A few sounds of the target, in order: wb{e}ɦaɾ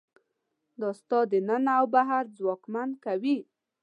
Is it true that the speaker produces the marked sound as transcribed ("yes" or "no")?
no